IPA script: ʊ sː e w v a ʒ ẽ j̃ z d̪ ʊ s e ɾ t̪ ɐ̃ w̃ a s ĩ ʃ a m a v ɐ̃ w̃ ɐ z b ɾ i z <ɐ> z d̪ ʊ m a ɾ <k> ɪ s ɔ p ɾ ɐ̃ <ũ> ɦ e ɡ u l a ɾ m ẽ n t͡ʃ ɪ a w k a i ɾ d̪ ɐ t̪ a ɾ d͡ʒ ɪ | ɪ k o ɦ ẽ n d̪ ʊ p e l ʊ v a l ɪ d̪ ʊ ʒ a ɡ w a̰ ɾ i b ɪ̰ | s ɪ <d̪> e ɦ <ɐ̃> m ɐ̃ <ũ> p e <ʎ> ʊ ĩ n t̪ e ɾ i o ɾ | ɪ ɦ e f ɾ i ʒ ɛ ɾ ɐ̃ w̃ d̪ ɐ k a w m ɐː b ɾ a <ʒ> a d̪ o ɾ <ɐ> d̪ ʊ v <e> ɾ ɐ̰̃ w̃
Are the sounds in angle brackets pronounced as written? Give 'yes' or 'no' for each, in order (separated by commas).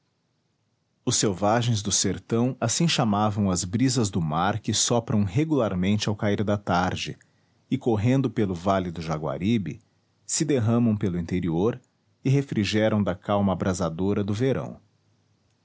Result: yes, yes, no, yes, yes, no, no, no, yes, yes